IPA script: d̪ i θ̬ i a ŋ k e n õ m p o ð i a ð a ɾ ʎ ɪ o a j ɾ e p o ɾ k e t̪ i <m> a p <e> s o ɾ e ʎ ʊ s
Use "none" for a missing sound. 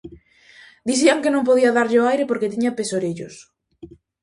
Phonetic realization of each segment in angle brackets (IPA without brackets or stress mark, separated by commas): ɲ, e